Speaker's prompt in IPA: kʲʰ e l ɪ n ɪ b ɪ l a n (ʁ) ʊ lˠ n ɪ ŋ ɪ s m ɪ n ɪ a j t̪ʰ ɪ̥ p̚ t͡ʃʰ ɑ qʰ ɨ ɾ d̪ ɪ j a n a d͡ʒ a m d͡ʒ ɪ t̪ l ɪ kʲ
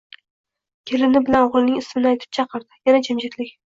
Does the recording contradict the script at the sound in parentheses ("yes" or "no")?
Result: no